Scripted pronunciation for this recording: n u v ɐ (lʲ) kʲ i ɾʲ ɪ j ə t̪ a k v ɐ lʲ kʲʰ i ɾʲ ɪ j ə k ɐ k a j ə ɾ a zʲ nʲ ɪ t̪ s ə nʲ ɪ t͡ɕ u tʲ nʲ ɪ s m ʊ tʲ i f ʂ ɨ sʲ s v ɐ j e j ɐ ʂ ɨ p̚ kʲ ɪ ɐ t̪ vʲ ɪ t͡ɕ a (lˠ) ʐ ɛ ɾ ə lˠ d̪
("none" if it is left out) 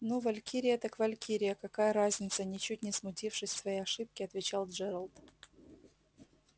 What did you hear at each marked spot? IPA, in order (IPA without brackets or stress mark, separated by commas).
lʲ, lˠ